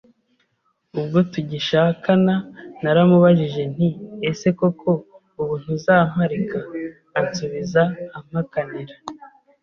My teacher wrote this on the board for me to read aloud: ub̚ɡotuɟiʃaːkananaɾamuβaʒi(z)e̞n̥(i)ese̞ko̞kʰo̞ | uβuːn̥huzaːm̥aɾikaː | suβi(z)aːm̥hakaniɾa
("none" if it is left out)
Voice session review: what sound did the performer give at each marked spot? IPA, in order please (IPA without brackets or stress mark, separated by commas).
ʒ, i, z